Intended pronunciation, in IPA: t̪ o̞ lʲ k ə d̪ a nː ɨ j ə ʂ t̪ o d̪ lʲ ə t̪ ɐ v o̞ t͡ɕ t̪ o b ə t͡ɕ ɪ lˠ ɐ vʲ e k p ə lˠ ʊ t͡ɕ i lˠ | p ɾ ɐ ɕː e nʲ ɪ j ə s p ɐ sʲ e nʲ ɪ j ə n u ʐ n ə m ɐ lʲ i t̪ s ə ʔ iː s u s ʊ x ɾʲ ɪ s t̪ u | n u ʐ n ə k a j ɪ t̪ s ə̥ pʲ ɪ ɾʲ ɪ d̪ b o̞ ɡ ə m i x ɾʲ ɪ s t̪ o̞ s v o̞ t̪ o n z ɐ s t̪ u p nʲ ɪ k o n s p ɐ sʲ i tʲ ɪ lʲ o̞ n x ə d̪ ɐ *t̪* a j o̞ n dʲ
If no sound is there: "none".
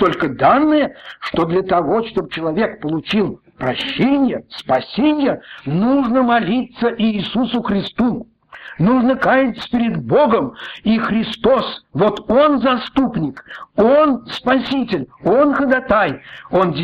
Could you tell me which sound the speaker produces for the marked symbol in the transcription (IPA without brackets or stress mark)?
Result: t̪